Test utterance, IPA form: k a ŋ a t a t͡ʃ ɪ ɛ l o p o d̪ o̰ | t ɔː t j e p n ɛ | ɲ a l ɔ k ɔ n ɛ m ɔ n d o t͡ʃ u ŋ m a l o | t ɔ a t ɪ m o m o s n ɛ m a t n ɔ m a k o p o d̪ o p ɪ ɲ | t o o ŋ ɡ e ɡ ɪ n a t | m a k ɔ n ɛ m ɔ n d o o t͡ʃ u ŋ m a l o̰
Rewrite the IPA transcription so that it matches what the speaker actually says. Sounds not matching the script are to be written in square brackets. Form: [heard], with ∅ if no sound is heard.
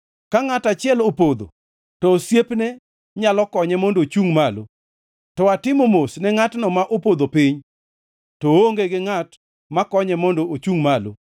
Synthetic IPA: k a ŋ a t a t͡ʃ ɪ ɛ l o p o d̪ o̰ | t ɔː [s] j e p n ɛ | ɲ a l ɔ k ɔ [ɲ] ɛ m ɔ n d o t͡ʃ u ŋ m a l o | t ɔ a t ɪ m o m o s n ɛ [ŋ] a t n ɔ m a [ʔ] o p o d̪ o p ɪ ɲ | t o o ŋ ɡ e ɡ ɪ [ŋ] a t | m a k ɔ [ɲ] ɛ m ɔ n d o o t͡ʃ u ŋ m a l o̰